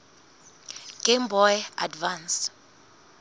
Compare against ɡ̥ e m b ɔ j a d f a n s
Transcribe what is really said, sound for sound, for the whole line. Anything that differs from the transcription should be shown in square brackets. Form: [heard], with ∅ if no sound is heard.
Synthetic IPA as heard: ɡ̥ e m b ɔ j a d [v] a n s